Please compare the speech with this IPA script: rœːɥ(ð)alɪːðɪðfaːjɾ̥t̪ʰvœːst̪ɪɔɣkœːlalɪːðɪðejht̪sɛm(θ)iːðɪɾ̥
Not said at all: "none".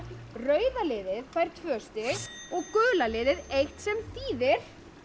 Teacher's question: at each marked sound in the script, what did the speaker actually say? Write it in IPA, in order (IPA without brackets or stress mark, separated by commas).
ð, θ